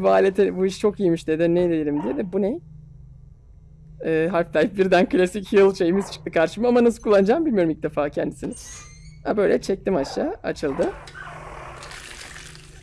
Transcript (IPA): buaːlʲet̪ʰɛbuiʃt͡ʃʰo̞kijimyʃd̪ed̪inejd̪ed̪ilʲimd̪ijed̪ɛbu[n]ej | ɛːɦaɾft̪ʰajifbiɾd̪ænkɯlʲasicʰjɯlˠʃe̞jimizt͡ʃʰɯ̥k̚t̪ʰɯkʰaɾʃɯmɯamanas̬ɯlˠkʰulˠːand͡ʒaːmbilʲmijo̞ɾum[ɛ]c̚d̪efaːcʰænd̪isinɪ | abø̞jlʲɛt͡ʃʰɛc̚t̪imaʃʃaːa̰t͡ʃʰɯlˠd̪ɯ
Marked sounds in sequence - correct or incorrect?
correct, incorrect

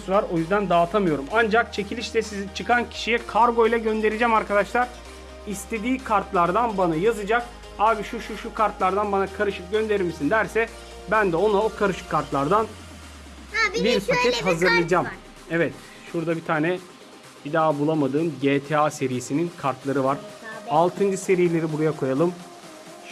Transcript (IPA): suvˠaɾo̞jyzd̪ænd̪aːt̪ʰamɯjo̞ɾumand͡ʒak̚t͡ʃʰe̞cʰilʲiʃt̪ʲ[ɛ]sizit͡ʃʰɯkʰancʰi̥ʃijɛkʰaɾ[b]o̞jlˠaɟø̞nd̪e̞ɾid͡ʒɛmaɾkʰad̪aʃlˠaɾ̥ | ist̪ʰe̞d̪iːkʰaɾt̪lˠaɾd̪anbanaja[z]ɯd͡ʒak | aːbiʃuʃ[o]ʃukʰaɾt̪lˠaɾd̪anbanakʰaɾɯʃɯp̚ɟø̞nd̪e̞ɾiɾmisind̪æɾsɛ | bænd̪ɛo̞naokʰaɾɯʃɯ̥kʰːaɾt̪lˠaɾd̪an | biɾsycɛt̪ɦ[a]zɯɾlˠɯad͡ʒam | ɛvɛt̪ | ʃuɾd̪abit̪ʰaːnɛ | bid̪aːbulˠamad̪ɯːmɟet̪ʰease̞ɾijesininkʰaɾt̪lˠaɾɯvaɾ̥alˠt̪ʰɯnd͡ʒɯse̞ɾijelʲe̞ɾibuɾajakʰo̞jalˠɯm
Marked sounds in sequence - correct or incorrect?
correct, incorrect, correct, incorrect, correct

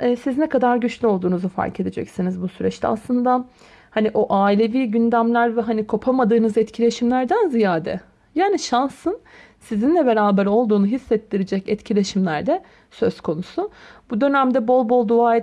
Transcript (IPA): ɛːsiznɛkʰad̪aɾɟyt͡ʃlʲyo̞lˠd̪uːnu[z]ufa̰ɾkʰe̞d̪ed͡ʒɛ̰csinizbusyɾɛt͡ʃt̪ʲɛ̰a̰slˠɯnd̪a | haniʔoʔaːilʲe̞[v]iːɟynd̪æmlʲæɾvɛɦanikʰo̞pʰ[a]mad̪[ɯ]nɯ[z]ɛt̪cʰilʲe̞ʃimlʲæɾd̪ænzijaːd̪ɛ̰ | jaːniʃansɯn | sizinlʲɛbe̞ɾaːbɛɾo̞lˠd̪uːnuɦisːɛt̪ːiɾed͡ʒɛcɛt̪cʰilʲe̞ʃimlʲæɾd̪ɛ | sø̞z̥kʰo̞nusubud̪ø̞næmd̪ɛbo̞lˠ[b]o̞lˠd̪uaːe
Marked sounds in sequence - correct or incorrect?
correct, correct, correct, incorrect, correct, correct

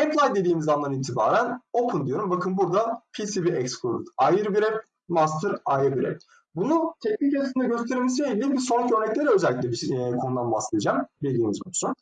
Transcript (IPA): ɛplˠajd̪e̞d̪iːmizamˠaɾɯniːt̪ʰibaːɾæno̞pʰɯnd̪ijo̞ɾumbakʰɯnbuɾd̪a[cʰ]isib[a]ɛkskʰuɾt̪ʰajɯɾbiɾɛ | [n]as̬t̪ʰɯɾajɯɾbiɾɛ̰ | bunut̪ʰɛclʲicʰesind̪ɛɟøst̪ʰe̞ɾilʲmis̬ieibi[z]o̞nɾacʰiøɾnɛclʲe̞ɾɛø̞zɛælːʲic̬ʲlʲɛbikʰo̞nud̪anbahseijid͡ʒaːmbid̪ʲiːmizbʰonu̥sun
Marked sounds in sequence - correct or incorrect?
incorrect, incorrect, incorrect, incorrect

